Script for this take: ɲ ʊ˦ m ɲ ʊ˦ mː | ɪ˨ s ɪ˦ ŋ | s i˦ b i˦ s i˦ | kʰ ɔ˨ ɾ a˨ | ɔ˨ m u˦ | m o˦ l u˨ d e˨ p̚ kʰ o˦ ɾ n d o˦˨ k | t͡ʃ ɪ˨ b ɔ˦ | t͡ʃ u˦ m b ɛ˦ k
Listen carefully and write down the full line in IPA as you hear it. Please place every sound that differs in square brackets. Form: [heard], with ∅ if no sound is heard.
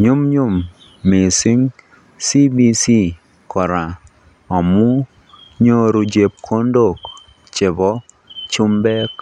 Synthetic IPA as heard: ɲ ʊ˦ m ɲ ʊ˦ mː | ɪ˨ s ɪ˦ ŋ | s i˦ b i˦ s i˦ | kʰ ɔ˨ ɾ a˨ | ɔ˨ m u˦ | [ɲ] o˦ [ɾ] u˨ [d͡ʒ] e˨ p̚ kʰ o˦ [∅] n d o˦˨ k | t͡ʃ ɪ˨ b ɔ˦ | t͡ʃ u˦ m b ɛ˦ k

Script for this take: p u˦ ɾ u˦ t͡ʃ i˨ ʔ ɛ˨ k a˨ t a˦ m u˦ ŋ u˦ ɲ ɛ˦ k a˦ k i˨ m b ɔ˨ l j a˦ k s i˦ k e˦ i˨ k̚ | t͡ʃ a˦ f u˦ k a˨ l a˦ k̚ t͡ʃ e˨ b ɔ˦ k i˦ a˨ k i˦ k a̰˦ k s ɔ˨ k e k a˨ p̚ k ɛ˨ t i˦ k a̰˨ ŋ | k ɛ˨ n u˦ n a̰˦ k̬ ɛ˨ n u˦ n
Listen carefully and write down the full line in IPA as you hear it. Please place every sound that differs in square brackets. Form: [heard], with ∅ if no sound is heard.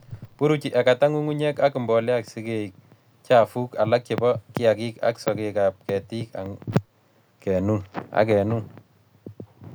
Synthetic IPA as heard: p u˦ ɾ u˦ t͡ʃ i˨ ʔ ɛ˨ k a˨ t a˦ [ŋ] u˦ ŋ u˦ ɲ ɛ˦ k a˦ k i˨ m b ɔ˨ l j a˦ k s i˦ k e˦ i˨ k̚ | t͡ʃ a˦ f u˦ k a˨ l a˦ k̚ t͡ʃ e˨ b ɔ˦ k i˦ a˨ k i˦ k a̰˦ k s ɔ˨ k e k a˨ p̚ k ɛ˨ t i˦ k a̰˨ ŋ | k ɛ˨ n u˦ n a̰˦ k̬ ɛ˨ n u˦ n

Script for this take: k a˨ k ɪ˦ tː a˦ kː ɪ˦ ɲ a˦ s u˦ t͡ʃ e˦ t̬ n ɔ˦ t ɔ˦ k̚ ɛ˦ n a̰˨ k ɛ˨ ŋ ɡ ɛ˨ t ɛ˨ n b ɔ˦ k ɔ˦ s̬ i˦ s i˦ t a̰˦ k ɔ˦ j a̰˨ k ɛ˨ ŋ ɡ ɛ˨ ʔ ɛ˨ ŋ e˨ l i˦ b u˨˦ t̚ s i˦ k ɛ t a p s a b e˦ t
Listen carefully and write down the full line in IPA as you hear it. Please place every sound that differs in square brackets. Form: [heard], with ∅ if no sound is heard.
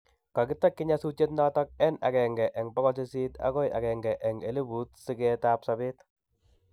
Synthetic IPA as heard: k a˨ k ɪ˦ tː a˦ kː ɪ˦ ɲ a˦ s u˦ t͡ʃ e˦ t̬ n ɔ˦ t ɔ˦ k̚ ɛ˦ n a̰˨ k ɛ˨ ŋ ɡ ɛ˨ [ʔ] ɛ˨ [ŋ] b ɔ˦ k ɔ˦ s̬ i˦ s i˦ t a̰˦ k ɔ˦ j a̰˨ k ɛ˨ ŋ ɡ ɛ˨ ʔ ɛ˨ ŋ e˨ l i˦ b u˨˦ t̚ s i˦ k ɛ t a p s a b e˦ t

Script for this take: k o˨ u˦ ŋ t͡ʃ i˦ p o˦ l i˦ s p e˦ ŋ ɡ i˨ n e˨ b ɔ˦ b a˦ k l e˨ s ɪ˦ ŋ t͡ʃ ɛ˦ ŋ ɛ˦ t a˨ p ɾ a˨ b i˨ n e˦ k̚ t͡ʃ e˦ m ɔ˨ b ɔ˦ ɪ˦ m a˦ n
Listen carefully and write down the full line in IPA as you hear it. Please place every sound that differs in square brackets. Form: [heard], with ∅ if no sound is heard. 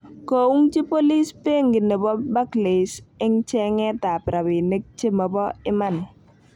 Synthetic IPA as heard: k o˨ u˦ ŋ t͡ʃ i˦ p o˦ l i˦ s p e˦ ŋ ɡ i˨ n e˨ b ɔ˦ b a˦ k l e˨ s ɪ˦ ŋ t͡ʃ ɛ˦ ŋ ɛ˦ t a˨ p ɾ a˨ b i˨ n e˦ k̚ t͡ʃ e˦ m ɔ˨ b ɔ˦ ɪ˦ m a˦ n

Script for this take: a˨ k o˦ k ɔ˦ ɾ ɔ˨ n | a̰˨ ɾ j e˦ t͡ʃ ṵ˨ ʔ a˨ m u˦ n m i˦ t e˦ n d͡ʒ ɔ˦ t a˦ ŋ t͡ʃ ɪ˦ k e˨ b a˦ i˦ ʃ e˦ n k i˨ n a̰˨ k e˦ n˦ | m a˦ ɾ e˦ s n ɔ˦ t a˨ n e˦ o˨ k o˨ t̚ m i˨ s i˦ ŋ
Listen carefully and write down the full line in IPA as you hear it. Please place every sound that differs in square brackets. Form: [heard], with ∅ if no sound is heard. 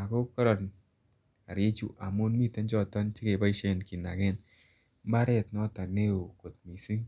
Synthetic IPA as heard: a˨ k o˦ k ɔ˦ ɾ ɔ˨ n | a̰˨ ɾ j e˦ t͡ʃ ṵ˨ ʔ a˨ m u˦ n m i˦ t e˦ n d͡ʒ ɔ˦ t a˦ [n] t͡ʃ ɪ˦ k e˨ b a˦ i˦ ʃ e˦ n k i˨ n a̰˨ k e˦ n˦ | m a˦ ɾ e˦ [t] n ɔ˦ t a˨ n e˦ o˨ k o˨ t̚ m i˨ s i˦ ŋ

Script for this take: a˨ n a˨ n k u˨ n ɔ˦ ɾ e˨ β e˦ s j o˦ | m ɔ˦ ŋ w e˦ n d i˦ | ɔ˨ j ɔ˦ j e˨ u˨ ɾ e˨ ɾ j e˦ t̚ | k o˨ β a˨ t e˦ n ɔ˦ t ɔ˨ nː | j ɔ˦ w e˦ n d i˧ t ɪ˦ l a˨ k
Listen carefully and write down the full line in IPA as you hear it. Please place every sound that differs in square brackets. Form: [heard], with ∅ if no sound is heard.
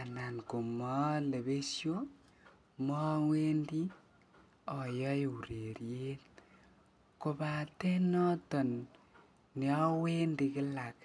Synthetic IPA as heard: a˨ n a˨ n k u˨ [m] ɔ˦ [l] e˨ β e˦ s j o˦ | m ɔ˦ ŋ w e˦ n d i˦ | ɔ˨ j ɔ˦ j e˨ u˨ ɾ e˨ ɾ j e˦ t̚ | k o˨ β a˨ t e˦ n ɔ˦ t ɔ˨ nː | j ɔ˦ w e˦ n d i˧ [k] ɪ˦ l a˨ k

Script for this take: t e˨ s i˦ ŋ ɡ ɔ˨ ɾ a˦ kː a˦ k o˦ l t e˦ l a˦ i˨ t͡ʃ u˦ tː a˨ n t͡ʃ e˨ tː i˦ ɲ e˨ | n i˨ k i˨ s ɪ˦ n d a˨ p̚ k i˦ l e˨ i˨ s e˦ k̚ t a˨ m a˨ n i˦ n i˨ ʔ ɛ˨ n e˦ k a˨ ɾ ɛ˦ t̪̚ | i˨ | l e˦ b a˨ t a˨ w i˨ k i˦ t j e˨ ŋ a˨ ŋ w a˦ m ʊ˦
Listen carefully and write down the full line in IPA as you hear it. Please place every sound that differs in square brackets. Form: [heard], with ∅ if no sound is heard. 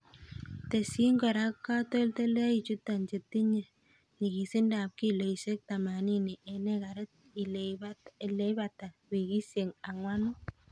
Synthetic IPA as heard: t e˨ s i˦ ŋ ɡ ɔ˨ ɾ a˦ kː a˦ [t] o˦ l t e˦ l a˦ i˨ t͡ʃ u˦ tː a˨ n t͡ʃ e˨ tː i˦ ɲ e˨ | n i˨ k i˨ s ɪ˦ n d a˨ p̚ k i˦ l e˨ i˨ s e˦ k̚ t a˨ m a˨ n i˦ n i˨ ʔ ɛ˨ n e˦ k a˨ ɾ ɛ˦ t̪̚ | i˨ | l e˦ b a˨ t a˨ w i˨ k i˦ [s] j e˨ ŋ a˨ ŋ w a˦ [n] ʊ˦

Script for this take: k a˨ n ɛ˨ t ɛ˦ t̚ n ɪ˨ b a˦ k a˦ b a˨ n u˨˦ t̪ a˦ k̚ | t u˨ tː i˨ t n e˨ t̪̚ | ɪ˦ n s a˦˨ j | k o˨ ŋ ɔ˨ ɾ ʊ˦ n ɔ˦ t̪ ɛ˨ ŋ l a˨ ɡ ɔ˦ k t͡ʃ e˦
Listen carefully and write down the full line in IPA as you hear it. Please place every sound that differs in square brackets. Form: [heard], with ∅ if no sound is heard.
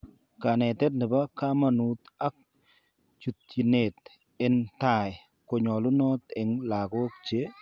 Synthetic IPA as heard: k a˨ n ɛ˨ t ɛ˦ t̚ n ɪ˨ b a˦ k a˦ [m] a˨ n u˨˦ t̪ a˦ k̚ | [t͡ʃ] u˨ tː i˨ [∅] n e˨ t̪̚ | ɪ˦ n [t] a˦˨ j | k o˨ [ɲ] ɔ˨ [l] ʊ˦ n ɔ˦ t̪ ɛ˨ ŋ l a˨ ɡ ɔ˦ k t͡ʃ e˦

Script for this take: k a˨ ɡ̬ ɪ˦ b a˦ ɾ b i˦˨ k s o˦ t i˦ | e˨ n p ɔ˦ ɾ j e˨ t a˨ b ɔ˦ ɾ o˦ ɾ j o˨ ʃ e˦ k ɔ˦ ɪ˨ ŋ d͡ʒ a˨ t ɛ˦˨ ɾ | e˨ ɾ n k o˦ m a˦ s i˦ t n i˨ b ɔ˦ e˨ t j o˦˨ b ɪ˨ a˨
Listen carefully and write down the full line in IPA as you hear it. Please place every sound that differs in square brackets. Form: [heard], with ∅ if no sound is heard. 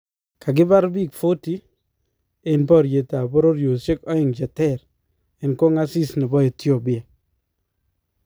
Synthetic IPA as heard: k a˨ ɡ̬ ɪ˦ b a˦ ɾ b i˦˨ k [f] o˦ t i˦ | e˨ n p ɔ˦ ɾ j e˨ t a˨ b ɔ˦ ɾ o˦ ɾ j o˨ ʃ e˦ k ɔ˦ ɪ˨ ŋ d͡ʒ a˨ t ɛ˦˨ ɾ | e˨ [∅] n k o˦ [ŋ] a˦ s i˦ [s] n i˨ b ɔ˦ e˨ t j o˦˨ b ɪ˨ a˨

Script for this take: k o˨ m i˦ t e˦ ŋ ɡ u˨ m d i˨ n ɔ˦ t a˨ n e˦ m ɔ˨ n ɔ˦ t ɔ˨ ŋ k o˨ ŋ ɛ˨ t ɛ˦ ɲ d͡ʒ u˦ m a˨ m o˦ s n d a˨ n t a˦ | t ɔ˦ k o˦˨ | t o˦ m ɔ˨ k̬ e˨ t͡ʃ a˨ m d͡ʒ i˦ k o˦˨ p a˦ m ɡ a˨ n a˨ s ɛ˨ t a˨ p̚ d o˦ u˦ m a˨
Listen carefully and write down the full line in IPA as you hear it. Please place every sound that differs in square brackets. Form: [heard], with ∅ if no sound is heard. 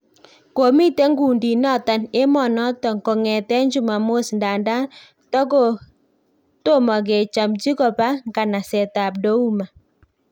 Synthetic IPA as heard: k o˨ m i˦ t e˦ ŋ ɡ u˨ [n] d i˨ n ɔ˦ t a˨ n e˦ m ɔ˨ n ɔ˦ t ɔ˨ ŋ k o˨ ŋ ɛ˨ t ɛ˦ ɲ d͡ʒ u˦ m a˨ m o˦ s n d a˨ n [d] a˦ | t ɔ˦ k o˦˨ | t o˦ m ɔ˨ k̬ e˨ t͡ʃ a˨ m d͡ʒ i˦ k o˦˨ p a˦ [ŋ] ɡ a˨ n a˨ s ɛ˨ t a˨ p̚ d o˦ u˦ m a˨

